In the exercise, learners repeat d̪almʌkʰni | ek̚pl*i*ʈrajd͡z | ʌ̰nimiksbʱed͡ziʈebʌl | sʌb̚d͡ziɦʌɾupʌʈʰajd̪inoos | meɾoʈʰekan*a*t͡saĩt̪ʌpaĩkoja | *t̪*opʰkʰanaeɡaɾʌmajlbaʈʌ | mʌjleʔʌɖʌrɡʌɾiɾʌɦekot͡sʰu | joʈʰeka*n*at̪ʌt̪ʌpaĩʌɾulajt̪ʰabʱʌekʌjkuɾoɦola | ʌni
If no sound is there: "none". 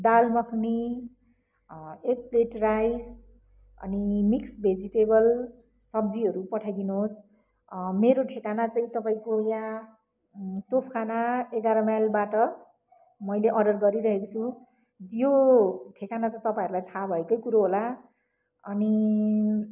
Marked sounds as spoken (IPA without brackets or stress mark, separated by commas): e, a, t̪, n